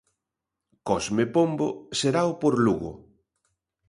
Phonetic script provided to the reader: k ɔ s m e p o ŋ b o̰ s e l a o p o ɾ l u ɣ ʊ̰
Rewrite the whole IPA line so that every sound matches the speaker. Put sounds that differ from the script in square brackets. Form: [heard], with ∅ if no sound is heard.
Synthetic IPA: k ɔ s m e p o [m] b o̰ s e [ɾ] a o p o ɾ l u ɣ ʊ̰

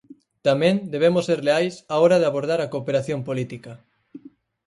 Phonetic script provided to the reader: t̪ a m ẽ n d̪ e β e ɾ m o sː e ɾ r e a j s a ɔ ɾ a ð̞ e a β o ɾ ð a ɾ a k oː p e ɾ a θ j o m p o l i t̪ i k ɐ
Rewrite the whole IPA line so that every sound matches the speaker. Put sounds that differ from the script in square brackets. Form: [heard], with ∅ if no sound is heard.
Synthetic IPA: t̪ a m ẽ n d̪ e β e [∅] m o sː e ɾ [l] e a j s a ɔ ɾ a ð̞ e a β o ɾ ð a ɾ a k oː p e ɾ a θ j o m p o l i t̪ i k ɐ

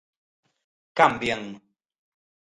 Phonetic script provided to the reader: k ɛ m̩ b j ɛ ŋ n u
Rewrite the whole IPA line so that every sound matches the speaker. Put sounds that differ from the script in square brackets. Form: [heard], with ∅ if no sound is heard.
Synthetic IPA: k [a] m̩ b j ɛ ŋ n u

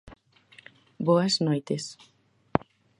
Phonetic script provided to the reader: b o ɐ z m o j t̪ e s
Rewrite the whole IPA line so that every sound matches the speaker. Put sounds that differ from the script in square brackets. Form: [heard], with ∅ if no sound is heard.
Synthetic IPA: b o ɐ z [n] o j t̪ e s

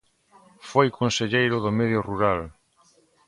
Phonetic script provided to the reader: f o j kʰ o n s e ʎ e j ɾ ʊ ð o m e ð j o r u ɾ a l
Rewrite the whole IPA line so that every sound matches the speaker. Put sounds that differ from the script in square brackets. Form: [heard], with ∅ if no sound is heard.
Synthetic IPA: f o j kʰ o n s e ʎ e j ɾ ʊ ð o m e ð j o r u ɾ a l

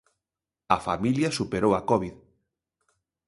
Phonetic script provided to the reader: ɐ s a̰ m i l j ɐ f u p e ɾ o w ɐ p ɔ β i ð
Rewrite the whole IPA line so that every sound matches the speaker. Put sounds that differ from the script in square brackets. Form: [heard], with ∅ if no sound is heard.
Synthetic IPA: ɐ [f] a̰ m i l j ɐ [s] u p e ɾ o w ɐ [k] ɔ β i ð

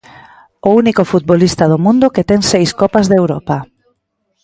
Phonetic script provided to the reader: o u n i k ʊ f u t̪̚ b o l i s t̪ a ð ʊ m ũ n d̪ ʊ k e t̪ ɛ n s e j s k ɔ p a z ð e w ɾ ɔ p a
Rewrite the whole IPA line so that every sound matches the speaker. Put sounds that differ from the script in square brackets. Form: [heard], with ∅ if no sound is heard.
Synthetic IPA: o u n i k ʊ f u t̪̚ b o l i s t̪ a ð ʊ m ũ n d̪ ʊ k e t̪ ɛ [ŋ] s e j s k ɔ p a z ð e w ɾ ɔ p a

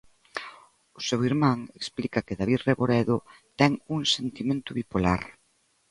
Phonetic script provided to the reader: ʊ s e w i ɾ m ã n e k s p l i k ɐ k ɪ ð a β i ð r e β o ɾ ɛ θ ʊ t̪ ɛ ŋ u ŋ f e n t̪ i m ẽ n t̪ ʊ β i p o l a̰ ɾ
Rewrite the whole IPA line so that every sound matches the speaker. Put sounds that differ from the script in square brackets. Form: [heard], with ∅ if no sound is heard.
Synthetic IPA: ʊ s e w i ɾ m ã [ŋ] e k s p l i k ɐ k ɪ ð a β i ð r e β o ɾ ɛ [ð] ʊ t̪ ɛ ŋ u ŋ [s] e n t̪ i m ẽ n t̪ ʊ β i p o l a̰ ɾ

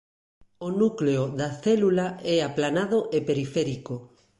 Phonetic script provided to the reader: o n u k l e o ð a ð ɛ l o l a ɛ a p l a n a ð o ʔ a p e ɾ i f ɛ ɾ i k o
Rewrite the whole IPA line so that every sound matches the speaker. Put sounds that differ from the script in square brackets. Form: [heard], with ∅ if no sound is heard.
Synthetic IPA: o n u k l e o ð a [θ] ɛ l [u] l a ɛ a p l a n a ð o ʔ [e] p e ɾ i f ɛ ɾ i k o

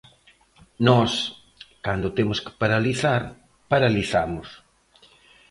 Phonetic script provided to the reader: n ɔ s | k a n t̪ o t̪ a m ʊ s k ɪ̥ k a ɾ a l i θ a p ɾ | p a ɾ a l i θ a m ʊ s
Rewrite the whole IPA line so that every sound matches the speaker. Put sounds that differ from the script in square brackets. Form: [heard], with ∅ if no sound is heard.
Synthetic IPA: n ɔ s | k a n [d̪] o t̪ [e] m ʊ s k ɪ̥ [p] a ɾ a l i θ a [∅] ɾ | p a ɾ a l i θ a m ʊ s

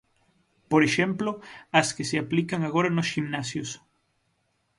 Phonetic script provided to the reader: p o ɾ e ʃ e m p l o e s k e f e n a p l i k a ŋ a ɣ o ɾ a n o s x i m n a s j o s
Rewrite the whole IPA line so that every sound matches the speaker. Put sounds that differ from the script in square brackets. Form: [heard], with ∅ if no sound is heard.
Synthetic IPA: p o ɾ e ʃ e m p l o [a] s k e [s] e [∅] a p l i k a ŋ a ɣ o ɾ a n o s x i m n a s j o s

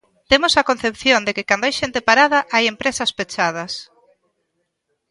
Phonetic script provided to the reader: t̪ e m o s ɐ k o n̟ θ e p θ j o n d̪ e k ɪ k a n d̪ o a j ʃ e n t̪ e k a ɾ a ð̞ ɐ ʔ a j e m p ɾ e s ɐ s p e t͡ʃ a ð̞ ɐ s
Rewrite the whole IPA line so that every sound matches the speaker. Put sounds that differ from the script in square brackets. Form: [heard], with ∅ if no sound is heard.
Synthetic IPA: t̪ e m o s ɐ k o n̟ θ e p θ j o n d̪ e k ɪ k a n d̪ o a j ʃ e n t̪ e [p] a ɾ a ð̞ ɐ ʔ a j e m p ɾ e s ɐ s p e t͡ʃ a ð̞ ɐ s

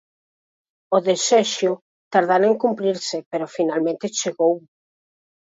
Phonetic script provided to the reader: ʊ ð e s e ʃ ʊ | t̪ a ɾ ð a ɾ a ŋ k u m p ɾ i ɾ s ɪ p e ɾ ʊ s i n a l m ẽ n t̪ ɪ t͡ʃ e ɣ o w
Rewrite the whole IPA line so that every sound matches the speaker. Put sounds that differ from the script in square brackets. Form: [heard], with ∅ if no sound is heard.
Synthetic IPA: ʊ ð e s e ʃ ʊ | t̪ a ɾ ð a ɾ [e] ŋ k u m p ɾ i ɾ s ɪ p e ɾ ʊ [f] i n a l m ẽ n t̪ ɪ t͡ʃ e ɣ o w

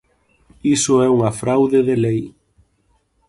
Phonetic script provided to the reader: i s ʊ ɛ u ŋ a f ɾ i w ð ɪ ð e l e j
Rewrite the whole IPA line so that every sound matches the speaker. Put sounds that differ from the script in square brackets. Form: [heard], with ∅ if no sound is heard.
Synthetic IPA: i s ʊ ɛ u ŋ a f ɾ [a] w ð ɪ ð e l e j

